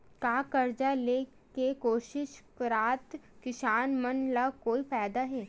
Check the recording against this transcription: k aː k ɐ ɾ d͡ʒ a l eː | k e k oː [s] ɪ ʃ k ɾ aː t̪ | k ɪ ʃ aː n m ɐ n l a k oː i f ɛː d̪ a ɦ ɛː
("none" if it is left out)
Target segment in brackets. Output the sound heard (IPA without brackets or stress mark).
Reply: ʃ